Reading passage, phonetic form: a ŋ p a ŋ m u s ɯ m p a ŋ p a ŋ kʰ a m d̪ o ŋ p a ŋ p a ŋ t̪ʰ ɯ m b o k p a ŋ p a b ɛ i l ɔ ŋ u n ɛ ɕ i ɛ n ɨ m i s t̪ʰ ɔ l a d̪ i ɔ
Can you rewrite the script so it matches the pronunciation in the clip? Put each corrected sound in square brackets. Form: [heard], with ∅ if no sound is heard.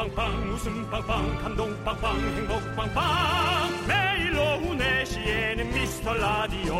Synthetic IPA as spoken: a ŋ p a ŋ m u s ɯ m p a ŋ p a ŋ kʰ a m d̪ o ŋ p a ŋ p a ŋ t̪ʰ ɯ [ŋ] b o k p a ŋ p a [m] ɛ i l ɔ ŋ u n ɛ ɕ i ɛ n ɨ m i s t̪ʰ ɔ l a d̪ i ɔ